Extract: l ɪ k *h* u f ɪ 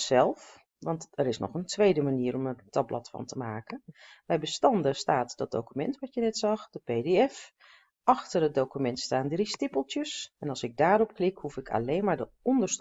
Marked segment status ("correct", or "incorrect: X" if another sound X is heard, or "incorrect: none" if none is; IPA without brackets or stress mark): correct